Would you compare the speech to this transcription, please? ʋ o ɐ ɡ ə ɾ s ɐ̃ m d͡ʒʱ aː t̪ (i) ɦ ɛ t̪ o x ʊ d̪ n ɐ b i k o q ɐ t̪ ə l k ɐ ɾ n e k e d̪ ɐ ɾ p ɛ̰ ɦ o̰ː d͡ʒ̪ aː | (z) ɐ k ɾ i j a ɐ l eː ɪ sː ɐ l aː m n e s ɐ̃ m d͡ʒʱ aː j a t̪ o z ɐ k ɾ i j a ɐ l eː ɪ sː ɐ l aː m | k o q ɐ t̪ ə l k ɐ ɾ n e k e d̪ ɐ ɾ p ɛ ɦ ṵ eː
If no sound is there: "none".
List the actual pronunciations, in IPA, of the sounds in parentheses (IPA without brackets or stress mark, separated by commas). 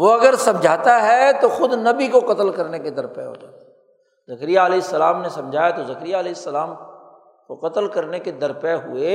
a, z